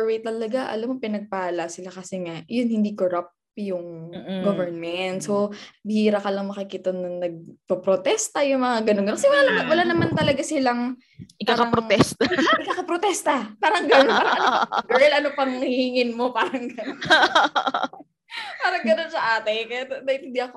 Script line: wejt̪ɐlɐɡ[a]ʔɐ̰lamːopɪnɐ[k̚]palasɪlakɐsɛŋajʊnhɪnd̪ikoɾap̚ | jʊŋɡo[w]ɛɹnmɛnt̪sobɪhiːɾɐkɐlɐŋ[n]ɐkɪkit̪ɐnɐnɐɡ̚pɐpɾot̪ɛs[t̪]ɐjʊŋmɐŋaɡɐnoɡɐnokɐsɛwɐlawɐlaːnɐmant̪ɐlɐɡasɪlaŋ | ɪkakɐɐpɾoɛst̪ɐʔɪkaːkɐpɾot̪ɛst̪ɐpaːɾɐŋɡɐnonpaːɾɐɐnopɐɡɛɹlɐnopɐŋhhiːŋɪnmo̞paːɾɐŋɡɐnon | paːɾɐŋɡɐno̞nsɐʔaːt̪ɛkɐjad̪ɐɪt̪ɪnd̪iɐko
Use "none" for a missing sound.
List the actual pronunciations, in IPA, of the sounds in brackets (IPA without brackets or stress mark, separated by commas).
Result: a, ɡ̚, v, m, t̪